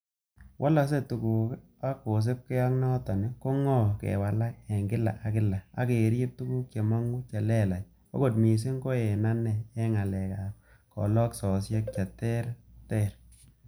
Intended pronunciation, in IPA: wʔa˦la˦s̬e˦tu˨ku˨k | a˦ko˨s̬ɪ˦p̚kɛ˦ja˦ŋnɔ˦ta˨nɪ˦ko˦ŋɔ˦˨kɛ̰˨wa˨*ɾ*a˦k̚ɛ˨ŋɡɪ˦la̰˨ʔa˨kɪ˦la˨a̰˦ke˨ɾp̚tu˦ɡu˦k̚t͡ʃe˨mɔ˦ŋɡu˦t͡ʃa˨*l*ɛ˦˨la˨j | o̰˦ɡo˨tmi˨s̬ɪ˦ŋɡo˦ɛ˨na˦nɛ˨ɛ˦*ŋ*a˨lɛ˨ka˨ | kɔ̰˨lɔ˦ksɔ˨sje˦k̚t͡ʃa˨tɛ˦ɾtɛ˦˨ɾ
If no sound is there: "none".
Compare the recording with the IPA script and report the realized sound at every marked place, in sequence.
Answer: l, l, ŋ

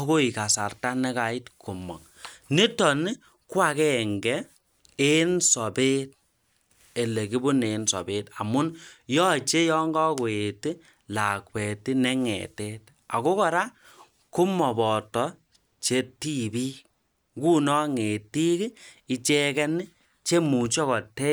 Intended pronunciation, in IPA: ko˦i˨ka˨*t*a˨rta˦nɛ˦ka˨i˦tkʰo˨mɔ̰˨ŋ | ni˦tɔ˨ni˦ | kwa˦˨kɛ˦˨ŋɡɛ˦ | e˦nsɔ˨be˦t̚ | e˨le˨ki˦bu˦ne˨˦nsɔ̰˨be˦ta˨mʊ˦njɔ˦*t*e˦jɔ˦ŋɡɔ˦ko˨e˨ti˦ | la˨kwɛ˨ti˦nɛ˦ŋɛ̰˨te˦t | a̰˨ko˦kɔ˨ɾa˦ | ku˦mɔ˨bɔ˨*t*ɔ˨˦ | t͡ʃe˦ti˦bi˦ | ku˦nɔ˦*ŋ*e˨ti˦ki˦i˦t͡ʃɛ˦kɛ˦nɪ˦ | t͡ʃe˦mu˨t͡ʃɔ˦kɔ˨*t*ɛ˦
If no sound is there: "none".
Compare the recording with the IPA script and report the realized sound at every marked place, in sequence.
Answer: s, t͡ʃ, t, ŋ, t

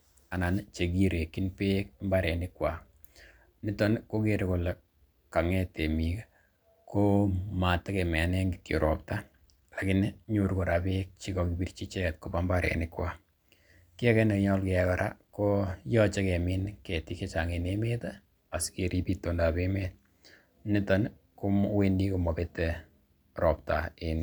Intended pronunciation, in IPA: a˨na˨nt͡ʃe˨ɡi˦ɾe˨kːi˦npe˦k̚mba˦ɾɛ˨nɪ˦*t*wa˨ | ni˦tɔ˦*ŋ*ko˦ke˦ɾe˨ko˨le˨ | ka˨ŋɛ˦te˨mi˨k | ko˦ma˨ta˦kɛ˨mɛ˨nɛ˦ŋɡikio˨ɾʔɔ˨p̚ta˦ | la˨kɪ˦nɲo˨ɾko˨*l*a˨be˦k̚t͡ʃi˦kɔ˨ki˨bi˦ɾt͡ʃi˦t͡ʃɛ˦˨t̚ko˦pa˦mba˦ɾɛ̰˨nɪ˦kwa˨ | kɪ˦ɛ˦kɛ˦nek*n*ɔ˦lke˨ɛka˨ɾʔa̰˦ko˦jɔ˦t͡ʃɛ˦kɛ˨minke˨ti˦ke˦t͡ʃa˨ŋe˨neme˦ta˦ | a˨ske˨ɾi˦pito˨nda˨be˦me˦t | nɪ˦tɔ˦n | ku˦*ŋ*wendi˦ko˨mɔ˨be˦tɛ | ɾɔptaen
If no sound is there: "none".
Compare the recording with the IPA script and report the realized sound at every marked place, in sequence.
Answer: k, n, ɾ, ɲ, m

